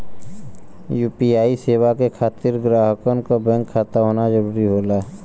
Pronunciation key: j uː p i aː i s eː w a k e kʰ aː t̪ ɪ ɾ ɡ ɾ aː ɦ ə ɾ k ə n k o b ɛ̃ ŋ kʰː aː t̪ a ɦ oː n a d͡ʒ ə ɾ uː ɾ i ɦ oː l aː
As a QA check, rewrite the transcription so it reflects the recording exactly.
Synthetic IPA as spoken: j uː p i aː i s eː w a k e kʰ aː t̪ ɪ ɾ ɡ ɾ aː ɦ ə k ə n k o b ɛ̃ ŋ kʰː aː t̪ a ɦ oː n a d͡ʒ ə ɾ uː ɾ i ɦ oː l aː